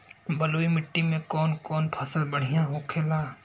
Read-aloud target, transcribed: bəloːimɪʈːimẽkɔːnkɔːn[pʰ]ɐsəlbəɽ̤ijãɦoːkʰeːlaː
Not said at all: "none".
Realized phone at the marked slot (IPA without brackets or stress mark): pʰ